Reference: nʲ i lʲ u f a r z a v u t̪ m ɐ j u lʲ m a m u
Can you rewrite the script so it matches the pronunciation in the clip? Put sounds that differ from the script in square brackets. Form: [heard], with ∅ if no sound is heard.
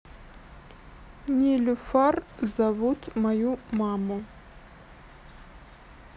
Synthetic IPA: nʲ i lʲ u f a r z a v u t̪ m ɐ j u [∅] m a m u